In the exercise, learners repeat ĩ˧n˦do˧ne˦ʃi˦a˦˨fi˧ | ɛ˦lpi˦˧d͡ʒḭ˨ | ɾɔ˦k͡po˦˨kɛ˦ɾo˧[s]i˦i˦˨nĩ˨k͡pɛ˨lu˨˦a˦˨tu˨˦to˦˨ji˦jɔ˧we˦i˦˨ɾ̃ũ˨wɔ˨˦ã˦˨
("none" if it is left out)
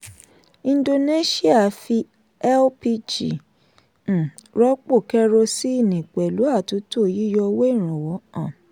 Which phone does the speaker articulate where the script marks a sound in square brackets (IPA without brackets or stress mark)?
s